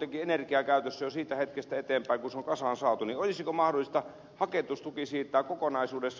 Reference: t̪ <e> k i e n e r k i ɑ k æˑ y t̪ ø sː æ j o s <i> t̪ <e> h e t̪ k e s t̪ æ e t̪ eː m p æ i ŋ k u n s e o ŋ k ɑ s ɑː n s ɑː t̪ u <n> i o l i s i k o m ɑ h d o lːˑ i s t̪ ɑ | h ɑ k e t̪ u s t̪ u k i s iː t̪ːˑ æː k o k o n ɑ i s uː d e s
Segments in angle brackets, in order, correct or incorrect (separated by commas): correct, incorrect, incorrect, correct